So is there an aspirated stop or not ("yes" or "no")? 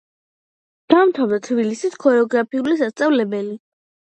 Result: yes